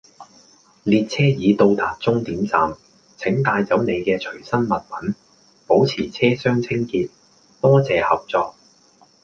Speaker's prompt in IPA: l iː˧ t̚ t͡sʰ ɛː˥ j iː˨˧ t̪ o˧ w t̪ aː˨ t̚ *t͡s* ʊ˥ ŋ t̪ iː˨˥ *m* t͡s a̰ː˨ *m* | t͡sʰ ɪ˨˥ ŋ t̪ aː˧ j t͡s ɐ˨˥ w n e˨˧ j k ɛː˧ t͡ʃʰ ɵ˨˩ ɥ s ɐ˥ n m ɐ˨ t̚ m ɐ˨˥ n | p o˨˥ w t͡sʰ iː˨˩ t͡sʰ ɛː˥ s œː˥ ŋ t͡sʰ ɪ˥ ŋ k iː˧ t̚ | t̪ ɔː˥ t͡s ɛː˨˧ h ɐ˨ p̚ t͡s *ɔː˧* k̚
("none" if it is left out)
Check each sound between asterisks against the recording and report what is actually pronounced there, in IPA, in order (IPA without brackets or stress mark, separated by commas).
t͡s, m, m, ɔː˧